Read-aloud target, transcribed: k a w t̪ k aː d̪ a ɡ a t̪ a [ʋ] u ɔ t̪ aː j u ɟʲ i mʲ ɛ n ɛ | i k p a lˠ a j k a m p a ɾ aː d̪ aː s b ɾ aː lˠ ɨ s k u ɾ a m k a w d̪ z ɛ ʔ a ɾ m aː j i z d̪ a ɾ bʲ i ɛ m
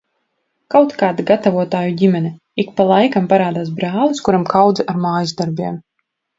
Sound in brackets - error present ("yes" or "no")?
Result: yes